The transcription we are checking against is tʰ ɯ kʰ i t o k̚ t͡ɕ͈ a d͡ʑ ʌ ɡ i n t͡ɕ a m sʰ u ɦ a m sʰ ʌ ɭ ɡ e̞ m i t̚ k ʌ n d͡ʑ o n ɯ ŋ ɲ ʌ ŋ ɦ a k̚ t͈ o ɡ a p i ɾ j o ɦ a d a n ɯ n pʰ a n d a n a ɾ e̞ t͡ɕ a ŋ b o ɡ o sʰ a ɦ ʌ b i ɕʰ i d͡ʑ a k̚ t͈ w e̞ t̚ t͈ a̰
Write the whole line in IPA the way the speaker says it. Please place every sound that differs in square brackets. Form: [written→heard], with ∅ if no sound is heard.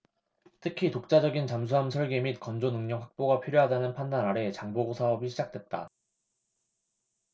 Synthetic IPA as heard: tʰ ɯ kʰ i t o k̚ t͡ɕ͈ a d͡ʑ ʌ ɡ i n t͡ɕ a m sʰ u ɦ a m sʰ ʌ ɭ ɡ e̞ m i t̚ k ʌ n d͡ʑ o n ɯ ŋ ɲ ʌ ŋ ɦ a k̚ [t͈→p͈] o ɡ a [p→pʰ] i ɾ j o ɦ a d a n ɯ n pʰ a n d a n a ɾ e̞ t͡ɕ a ŋ b o ɡ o sʰ a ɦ ʌ b i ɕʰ i d͡ʑ a k̚ t͈ w e̞ t̚ t͈ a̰